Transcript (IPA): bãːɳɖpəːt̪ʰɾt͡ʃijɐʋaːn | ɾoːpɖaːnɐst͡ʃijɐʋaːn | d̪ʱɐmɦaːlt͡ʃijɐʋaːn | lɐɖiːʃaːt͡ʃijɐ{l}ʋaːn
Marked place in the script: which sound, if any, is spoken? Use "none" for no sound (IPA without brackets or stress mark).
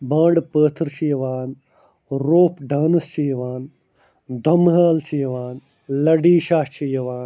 none